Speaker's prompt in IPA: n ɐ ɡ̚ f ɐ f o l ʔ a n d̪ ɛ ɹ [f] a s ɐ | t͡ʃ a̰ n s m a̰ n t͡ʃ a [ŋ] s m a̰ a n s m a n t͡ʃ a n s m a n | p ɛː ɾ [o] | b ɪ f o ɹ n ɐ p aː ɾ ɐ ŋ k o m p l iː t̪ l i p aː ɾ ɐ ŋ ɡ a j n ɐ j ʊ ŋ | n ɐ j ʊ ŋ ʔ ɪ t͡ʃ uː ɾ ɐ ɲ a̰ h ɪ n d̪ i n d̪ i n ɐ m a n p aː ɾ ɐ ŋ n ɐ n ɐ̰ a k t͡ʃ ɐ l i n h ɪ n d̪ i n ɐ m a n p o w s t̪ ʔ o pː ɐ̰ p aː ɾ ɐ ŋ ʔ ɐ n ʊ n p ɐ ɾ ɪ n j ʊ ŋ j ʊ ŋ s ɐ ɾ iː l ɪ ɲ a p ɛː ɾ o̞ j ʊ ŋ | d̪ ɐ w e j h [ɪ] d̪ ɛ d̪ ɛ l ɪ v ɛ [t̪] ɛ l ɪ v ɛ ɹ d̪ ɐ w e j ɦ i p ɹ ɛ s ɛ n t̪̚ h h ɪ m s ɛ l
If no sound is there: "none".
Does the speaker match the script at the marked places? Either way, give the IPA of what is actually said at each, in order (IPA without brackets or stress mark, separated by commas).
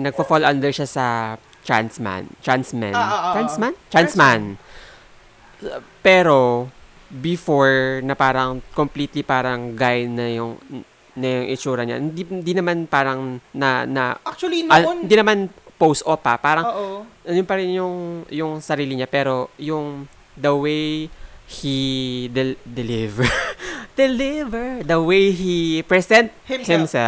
ʃ, n, o, i, d̪